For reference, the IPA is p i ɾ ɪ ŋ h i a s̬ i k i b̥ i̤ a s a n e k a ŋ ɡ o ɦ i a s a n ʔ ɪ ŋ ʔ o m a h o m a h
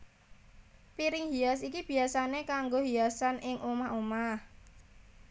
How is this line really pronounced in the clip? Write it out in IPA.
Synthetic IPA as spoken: p i ɾ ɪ ŋ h i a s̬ i k i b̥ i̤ a s a n e k a ŋ ɡ o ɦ i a s a n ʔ ɪ ŋ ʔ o m a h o m a h